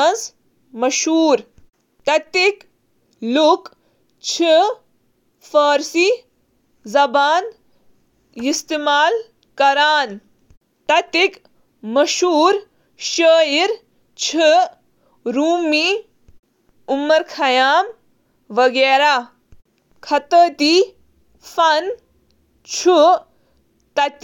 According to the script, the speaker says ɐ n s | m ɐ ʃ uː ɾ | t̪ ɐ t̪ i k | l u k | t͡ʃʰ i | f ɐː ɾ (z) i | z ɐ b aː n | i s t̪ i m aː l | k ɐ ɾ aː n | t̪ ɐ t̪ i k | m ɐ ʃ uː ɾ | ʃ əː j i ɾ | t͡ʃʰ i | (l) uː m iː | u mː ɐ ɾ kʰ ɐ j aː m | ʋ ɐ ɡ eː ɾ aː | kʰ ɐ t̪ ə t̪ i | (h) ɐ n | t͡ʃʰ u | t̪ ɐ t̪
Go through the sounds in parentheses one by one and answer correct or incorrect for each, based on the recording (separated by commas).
incorrect, incorrect, incorrect